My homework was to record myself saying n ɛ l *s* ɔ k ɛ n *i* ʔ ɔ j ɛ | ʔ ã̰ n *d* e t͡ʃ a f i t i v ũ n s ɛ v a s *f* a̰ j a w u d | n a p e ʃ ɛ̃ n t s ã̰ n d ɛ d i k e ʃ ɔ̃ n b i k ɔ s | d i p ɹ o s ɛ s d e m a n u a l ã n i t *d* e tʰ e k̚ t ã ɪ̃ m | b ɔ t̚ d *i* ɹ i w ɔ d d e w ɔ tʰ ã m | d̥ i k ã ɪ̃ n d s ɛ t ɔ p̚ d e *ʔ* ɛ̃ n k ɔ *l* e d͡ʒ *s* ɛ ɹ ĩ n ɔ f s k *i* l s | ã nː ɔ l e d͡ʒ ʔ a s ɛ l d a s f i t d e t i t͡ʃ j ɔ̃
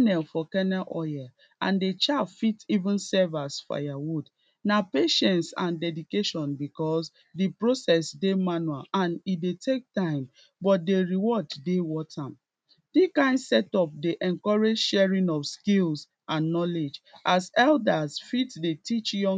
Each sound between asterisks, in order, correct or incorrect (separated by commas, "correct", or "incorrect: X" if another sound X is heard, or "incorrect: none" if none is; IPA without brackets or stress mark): incorrect: f, incorrect: ɛ, correct, correct, correct, incorrect: e, correct, incorrect: ɹ, incorrect: ʃ, correct